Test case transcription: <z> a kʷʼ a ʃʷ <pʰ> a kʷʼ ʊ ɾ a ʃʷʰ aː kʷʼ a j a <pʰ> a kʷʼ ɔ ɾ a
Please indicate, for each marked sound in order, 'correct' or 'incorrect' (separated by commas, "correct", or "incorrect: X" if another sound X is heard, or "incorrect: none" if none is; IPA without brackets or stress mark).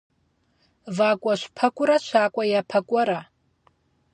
incorrect: v, correct, correct